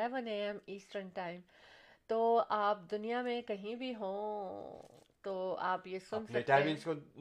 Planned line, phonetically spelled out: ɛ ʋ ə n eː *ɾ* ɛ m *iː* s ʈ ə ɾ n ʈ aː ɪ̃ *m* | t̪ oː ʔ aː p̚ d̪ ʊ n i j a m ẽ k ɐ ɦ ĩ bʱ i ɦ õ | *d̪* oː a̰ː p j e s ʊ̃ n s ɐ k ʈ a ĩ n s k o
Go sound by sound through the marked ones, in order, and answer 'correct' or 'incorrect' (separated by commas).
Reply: incorrect, correct, correct, incorrect